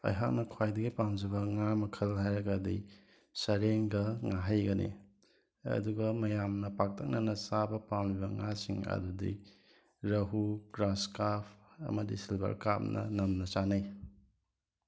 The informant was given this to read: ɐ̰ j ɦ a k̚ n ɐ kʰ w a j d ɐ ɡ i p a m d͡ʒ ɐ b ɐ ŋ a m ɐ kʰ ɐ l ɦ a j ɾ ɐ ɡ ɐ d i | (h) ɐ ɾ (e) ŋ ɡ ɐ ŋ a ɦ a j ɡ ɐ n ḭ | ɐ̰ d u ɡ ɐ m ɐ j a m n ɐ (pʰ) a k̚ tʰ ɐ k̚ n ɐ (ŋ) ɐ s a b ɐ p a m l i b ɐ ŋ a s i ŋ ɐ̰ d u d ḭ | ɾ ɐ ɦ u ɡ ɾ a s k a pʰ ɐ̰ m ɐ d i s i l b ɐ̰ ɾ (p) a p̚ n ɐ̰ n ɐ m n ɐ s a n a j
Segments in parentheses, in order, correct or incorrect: incorrect, correct, incorrect, incorrect, incorrect

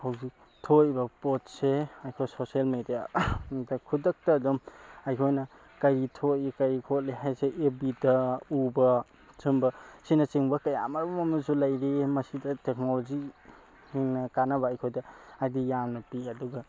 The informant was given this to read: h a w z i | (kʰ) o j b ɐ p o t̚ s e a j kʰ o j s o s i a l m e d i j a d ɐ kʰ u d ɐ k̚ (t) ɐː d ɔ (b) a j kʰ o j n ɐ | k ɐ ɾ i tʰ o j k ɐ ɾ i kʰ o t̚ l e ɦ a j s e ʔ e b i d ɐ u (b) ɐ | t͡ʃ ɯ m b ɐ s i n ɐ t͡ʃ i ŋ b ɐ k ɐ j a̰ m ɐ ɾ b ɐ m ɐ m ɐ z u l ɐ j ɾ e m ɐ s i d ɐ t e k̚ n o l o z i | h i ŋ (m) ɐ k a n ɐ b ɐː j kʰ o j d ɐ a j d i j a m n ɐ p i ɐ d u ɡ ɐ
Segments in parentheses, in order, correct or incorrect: incorrect, correct, incorrect, correct, incorrect

